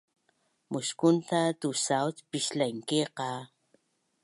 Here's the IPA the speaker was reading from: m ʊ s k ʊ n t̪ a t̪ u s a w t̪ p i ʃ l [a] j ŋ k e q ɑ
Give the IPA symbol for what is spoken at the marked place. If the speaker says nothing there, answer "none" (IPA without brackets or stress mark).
a